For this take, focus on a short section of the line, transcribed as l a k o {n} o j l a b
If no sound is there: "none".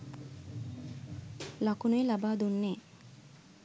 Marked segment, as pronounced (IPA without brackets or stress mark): n